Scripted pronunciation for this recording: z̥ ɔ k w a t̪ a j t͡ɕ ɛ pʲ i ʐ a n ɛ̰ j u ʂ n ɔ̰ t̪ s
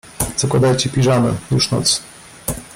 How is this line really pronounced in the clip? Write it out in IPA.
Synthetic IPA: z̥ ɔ k w a d̪ a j t͡ɕ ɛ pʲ i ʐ a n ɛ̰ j u ʂ n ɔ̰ t̪ s